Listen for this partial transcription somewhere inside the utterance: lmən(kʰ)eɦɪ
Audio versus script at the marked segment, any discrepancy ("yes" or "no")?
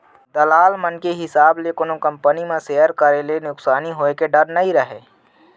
yes